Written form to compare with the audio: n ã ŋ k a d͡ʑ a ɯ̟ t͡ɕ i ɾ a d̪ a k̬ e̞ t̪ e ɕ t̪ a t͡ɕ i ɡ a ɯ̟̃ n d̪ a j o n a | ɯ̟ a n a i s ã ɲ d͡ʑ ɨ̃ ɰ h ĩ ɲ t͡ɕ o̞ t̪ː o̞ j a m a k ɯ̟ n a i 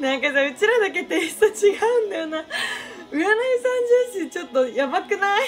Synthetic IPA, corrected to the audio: n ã ŋ k a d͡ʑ a ɯ̟ t͡ɕ i ɾ a d̪ a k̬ e̞ t̪ e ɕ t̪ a t͡ɕ i ɡ a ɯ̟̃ n d̪ a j o n a | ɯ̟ a n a i s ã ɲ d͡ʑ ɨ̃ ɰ ɕ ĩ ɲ t͡ɕ o̞ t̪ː o̞ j a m a k ɯ̟ n a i